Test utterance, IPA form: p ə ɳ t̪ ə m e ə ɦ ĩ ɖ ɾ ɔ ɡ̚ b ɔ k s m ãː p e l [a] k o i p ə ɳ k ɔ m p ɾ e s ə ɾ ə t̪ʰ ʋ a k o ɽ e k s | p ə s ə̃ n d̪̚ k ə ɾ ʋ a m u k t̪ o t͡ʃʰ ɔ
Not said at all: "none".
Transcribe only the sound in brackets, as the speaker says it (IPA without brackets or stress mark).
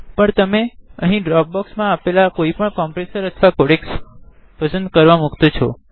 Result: a